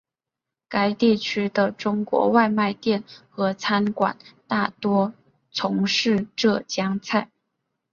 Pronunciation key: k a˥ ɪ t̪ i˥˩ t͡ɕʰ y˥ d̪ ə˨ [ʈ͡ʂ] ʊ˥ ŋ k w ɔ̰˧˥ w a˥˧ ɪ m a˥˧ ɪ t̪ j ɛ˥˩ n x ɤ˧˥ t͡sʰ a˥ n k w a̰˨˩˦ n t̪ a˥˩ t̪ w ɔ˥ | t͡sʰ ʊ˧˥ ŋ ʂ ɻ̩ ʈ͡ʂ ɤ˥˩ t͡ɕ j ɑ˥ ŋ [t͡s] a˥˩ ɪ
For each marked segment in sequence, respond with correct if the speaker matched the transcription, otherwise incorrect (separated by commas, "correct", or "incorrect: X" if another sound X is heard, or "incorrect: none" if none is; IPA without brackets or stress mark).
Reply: correct, incorrect: t͡sʰ